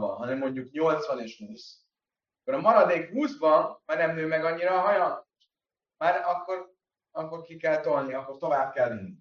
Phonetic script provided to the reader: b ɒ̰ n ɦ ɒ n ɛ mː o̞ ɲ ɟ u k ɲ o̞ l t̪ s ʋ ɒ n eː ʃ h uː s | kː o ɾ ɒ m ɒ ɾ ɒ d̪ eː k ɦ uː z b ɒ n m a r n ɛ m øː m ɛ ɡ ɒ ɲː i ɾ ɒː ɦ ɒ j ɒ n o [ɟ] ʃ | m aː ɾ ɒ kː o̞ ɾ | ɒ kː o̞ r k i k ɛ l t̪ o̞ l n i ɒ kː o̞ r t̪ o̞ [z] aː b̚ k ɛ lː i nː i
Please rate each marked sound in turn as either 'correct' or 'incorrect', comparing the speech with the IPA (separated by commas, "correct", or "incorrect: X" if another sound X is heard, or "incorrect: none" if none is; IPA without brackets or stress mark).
incorrect: none, incorrect: v